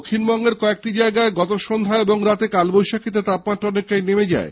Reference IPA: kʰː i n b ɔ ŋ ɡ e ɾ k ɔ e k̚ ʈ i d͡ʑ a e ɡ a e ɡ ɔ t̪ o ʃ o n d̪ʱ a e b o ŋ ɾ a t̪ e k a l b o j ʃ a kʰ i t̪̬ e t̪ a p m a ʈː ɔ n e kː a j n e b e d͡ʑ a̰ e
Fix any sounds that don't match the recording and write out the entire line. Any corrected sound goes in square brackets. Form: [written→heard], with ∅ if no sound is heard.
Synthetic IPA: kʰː i n b ɔ ŋ ɡ e ɾ k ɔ e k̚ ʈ i d͡ʑ a e ɡ a e ɡ ɔ t̪ o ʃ o n d̪ʱ a e b o ŋ ɾ a t̪ e k a l b o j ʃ a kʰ i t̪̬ e t̪ a p m a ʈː ɔ n e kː a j n e [b→m] e d͡ʑ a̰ e